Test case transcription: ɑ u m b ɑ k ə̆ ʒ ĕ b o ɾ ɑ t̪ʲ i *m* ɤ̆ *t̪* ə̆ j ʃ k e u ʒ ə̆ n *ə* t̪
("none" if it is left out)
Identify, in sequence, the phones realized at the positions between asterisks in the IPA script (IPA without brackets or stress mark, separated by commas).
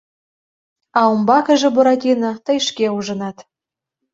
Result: n, t̪, ɑ